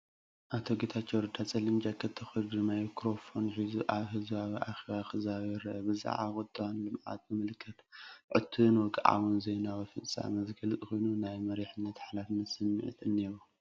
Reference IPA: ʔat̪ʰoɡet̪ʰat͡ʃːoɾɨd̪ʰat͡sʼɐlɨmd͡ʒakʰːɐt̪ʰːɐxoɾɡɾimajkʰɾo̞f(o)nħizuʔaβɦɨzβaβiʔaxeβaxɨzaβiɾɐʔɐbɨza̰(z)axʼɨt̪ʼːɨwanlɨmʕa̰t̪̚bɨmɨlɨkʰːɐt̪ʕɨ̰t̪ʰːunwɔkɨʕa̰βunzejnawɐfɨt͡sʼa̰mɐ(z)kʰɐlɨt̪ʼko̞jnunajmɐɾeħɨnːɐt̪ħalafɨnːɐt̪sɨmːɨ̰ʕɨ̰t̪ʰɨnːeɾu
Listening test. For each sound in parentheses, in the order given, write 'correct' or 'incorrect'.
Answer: correct, incorrect, correct

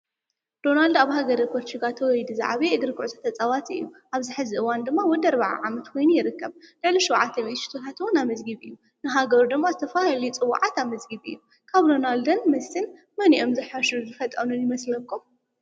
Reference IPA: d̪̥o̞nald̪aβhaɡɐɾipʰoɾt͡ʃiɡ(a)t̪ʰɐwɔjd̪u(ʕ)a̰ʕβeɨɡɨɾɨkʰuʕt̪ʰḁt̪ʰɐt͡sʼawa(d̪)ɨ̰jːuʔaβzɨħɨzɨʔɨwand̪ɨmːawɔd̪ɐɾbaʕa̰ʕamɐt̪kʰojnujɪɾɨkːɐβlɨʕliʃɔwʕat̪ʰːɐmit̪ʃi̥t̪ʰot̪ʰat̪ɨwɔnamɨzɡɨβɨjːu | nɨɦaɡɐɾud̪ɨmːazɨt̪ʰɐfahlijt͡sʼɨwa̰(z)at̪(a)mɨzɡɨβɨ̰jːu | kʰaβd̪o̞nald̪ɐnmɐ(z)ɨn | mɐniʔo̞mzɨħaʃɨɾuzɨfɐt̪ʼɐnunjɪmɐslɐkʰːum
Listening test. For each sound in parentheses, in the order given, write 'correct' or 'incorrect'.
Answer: correct, incorrect, incorrect, incorrect, correct, incorrect

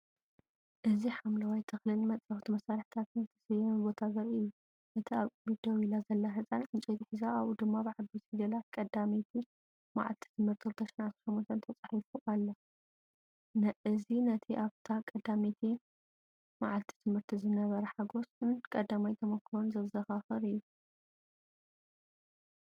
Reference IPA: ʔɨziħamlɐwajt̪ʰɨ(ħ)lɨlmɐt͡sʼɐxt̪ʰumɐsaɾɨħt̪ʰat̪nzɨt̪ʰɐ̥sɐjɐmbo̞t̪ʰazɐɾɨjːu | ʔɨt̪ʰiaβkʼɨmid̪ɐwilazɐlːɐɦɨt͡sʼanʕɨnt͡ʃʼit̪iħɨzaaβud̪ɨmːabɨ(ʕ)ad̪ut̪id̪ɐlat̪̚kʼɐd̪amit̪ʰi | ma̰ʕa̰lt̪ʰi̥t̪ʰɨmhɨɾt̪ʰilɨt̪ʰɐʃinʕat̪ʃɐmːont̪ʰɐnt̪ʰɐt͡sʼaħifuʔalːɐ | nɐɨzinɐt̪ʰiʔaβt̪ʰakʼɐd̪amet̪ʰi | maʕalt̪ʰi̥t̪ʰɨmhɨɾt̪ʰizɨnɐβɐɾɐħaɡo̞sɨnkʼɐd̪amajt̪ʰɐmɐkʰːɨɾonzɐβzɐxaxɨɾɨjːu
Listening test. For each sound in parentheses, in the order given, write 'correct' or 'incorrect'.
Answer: incorrect, correct

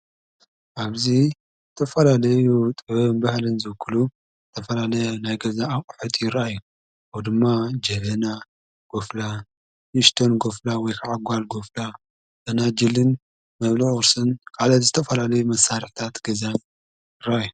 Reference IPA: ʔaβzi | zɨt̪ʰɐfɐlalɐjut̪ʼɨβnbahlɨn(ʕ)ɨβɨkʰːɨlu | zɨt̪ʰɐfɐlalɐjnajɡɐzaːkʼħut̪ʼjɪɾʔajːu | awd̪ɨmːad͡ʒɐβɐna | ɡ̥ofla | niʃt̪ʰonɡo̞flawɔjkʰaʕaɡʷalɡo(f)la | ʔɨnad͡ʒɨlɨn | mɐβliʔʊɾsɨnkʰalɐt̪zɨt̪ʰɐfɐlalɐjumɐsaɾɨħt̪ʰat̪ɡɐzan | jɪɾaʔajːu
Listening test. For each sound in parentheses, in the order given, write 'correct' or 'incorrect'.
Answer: incorrect, correct

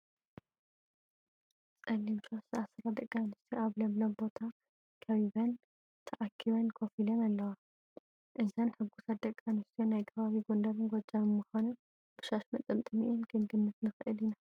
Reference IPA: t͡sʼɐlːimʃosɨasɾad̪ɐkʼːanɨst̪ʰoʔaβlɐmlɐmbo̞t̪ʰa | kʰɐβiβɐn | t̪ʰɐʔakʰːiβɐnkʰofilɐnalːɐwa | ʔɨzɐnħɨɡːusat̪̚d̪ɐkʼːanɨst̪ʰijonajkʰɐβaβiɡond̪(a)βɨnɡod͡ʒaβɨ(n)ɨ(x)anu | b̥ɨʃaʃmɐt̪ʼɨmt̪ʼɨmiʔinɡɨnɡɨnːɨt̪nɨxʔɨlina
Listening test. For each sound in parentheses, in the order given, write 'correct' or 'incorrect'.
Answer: incorrect, incorrect, correct

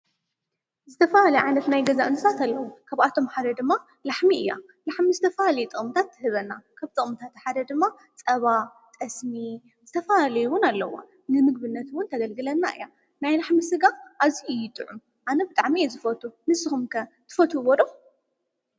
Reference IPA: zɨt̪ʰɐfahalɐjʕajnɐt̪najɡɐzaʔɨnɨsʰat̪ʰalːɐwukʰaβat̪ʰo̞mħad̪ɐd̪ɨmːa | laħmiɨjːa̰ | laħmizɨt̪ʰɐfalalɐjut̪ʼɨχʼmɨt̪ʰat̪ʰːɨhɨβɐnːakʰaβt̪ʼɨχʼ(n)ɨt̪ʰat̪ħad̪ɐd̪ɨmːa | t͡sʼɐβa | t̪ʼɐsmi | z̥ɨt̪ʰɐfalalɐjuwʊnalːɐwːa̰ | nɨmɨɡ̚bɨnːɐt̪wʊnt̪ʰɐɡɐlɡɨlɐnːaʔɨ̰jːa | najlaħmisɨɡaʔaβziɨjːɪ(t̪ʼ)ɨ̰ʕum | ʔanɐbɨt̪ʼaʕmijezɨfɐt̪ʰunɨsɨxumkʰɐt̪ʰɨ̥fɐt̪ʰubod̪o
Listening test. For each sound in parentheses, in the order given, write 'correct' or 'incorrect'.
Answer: incorrect, correct

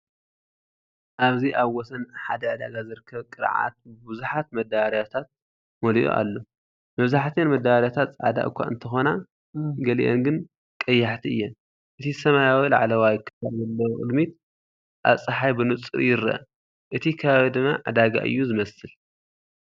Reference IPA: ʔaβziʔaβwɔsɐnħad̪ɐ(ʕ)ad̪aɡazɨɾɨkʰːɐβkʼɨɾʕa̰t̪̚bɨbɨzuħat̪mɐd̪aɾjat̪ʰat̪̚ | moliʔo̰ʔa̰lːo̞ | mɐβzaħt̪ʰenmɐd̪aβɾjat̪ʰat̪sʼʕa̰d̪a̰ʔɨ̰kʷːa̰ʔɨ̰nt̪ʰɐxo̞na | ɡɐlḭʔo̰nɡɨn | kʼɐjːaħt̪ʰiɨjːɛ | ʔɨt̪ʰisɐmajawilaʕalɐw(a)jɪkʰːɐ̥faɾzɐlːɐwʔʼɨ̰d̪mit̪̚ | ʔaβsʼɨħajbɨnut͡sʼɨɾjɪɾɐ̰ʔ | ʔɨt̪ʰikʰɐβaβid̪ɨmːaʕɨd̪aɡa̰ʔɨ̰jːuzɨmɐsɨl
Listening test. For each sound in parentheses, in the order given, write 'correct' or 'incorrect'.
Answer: correct, correct

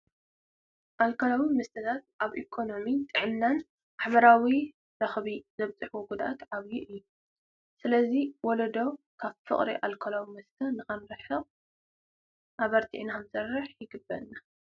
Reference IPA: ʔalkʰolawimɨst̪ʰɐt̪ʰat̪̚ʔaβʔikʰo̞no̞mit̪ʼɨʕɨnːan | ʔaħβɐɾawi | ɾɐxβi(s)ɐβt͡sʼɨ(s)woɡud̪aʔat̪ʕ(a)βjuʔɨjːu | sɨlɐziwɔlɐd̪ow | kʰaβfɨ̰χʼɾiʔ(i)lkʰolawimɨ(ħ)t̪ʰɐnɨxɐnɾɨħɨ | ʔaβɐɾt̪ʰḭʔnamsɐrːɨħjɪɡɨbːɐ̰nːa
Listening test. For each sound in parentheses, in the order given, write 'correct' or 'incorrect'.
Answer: incorrect, incorrect, correct, incorrect, incorrect

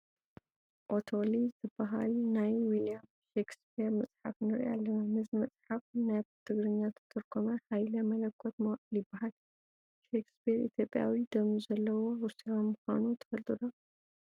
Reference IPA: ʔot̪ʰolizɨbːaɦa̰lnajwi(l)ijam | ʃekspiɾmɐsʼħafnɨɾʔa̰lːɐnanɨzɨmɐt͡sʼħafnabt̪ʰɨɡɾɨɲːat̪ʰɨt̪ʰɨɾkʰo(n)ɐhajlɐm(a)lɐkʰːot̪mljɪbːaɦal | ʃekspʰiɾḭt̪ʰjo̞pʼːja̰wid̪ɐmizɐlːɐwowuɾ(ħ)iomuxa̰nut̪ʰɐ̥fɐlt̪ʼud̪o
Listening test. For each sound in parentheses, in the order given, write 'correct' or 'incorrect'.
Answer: correct, incorrect, incorrect, incorrect

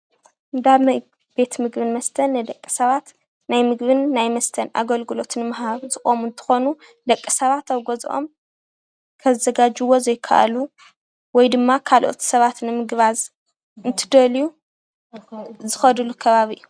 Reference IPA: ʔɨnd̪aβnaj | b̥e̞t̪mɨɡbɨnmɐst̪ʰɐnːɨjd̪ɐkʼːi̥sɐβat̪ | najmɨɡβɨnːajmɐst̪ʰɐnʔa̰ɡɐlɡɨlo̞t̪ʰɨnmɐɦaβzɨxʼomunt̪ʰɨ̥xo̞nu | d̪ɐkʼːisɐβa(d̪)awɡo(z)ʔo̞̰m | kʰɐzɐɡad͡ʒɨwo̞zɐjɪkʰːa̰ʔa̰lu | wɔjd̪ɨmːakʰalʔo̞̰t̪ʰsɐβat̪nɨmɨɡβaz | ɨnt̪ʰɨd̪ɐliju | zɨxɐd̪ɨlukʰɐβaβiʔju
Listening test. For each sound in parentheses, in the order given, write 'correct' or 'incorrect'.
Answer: incorrect, correct

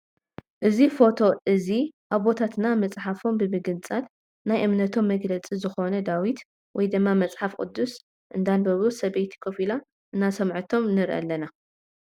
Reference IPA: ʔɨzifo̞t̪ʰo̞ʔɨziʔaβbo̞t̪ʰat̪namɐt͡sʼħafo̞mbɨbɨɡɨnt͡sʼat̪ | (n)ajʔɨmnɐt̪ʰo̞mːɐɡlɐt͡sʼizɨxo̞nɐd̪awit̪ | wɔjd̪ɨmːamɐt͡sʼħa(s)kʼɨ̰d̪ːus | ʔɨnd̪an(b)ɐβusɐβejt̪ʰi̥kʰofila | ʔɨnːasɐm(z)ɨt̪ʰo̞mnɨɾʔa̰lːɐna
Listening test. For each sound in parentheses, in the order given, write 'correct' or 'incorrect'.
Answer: correct, incorrect, correct, incorrect

